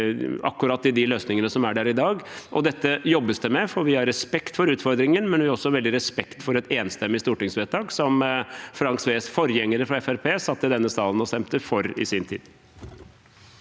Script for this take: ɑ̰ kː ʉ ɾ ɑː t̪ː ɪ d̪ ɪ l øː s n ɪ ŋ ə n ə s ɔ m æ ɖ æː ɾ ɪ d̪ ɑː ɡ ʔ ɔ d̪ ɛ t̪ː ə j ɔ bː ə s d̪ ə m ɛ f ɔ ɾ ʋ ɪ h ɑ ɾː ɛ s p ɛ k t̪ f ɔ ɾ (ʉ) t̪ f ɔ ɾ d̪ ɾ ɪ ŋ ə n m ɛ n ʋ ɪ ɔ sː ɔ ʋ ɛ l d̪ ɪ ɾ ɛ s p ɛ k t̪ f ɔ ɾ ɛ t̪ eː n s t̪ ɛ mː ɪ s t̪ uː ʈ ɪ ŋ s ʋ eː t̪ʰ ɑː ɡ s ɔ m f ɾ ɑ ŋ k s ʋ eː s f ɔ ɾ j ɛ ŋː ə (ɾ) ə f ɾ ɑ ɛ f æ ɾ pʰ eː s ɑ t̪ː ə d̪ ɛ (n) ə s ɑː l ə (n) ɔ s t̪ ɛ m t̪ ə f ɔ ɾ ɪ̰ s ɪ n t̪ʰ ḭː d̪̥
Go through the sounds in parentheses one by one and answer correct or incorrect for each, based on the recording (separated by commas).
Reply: incorrect, correct, incorrect, correct